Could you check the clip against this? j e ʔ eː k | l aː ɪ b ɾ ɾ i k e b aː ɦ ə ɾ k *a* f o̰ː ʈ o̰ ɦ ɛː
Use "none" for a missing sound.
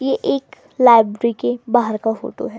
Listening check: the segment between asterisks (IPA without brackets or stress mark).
a